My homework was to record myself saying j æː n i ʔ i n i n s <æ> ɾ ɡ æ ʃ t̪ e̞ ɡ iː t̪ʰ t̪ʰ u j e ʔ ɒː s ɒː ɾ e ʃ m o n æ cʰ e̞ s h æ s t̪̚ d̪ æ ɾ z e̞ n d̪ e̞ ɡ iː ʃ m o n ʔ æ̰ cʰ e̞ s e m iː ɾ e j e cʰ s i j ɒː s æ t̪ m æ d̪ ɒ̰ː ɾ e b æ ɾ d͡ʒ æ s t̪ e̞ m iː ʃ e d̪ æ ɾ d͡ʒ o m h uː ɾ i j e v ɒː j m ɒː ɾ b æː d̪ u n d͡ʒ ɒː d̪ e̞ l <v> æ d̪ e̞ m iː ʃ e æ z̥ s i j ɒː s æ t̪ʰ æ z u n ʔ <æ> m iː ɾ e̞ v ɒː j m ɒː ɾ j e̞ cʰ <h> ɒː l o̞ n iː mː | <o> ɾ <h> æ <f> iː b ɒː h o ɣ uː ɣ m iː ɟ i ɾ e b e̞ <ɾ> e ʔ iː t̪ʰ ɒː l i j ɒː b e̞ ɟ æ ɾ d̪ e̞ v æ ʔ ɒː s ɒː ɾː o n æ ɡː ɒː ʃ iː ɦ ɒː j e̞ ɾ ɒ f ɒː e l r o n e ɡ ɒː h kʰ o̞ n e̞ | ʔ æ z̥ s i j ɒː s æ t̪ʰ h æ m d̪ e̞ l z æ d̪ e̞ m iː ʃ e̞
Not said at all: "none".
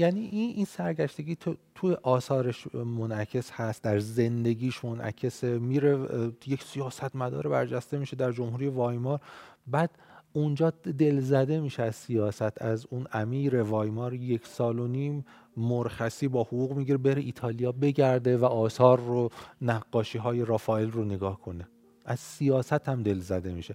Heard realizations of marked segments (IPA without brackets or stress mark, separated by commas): æ, z, æ, s, o, x, s, ɾ